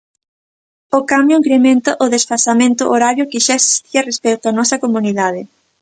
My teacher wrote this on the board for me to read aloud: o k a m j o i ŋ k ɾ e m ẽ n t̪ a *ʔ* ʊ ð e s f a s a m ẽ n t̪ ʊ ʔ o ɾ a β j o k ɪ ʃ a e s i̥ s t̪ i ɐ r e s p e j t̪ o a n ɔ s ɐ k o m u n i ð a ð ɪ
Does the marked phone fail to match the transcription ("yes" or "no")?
no